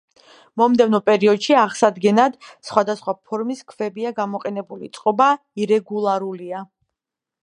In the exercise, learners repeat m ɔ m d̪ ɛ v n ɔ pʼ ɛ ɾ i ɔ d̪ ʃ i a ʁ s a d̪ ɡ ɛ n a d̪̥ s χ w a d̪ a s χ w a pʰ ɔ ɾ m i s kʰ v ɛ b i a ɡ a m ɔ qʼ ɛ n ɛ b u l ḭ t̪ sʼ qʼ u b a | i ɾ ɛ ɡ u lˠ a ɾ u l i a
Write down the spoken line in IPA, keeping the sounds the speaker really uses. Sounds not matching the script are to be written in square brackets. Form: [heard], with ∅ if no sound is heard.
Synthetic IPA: m ɔ m d̪ ɛ v n ɔ pʼ ɛ ɾ i ɔ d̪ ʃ i a ʁ s a d̪ ɡ ɛ n a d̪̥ s χ w a d̪ a s χ w a pʰ ɔ ɾ m i s kʰ v ɛ b i a ɡ a m ɔ qʼ ɛ n ɛ b u l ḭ t̪ sʼ qʼ [ɔ] b a | i ɾ ɛ ɡ u lˠ a ɾ u l i a